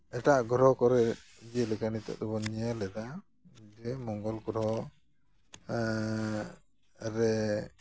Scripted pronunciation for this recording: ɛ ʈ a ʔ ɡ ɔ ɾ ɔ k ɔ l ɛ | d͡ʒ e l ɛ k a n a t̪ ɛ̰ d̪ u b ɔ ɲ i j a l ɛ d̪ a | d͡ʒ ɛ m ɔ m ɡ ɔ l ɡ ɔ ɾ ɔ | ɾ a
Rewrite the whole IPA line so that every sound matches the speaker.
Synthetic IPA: ɛ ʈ a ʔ ɡ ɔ ɾ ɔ k ɔ ɾ ɛ | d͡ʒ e l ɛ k a n i t̪ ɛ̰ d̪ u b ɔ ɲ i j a l ɛ d̪ a | d͡ʒ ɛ m ɔ ŋ ɡ ɔ l ɡ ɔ ɾ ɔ | ɾ ɛ